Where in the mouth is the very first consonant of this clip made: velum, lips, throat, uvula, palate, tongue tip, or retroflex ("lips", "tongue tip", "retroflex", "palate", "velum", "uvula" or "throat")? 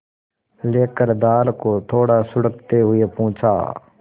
tongue tip